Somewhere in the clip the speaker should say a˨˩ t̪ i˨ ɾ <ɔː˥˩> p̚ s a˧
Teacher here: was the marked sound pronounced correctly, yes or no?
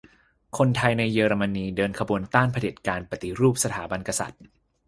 no